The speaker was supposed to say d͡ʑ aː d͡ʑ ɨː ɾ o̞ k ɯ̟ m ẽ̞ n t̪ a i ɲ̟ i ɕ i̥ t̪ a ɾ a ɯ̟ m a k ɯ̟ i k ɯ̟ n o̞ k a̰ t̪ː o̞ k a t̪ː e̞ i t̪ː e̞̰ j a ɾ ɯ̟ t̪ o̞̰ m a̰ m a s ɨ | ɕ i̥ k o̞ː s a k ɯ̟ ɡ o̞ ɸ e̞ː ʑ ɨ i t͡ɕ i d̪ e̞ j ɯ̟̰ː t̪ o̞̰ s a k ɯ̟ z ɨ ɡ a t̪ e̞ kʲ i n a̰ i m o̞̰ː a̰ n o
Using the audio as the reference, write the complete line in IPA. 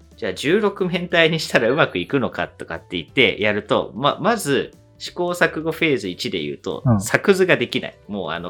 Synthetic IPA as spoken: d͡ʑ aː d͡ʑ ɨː ɾ o̞ k ɯ̟ m ẽ̞ n t̪ a i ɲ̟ i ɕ i̥ t̪ a ɾ a ɯ̟ m a k ɯ̟ i k ɯ̟ n o̞ k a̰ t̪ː o̞ k a t̪ː e̞ i t̪ː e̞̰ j a ɾ ɯ̟ t̪ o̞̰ m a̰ m a z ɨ | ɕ i̥ k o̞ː s a k ɯ̟ ɡ o̞ ɸ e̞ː z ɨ i t͡ɕ i d̪ e̞ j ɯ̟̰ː t̪ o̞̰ s a k ɯ̟ z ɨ ɡ a d̪ e̞ kʲ i n a̰ i m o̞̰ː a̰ n o